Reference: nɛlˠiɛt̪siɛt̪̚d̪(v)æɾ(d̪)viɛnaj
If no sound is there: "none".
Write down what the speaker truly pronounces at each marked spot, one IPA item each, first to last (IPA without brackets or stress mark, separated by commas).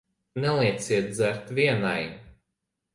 z, t̪